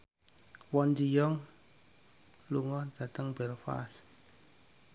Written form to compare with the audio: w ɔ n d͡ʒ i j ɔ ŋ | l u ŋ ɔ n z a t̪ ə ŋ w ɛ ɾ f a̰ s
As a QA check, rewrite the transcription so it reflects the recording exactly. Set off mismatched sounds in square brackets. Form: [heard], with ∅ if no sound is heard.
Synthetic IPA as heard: w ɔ n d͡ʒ i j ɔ ŋ | l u ŋ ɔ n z a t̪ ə ŋ [b] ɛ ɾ f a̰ s